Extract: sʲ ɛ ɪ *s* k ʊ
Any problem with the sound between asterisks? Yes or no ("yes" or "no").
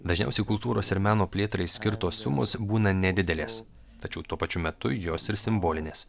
yes